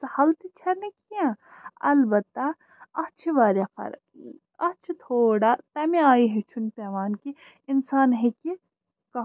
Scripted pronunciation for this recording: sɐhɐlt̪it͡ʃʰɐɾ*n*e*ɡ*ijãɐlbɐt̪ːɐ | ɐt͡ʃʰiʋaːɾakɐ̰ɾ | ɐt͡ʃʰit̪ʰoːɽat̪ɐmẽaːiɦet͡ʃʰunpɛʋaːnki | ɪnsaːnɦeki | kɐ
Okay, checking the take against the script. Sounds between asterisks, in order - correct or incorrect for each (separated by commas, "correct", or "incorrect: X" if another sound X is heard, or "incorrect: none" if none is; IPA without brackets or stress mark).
correct, incorrect: k